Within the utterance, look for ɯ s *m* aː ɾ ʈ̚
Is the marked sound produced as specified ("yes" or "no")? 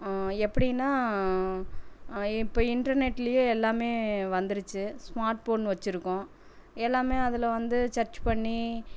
yes